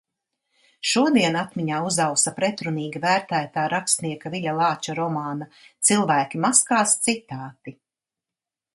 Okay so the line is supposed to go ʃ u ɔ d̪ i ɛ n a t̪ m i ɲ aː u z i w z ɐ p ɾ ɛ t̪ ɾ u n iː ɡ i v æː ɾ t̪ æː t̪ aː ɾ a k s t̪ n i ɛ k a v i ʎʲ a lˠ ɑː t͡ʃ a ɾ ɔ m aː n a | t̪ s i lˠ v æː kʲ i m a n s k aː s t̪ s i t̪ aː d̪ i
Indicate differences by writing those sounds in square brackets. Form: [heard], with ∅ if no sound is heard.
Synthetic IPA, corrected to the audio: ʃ u ɔ d̪ i ɛ n a t̪ m i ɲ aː u z [a] w [s] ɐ p ɾ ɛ t̪ ɾ u n iː ɡ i v æː ɾ t̪ æː t̪ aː ɾ a k s t̪ n i ɛ k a v i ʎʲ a lˠ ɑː t͡ʃ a ɾ ɔ m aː n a | t̪ s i lˠ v æː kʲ i m a [∅] s k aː s t̪ s i t̪ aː [t̪] i